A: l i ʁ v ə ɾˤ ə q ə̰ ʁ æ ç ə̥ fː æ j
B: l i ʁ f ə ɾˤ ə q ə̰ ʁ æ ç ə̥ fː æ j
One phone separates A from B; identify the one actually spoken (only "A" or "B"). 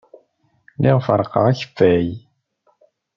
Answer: B